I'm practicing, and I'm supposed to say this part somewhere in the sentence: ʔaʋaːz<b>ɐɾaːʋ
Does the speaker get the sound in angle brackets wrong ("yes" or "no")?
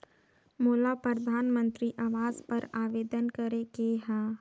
yes